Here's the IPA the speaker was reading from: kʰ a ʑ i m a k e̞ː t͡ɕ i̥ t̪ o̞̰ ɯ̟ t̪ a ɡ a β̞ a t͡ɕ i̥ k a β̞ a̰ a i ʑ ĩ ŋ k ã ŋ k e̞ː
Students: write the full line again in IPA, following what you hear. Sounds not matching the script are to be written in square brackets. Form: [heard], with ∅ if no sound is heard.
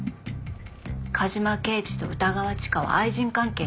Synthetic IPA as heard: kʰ a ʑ i m a k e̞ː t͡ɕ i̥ t̪ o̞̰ ɯ̟ t̪ a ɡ a β̞ a t͡ɕ i̥ k a β̞ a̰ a i ʑ ĩ ŋ k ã ŋ k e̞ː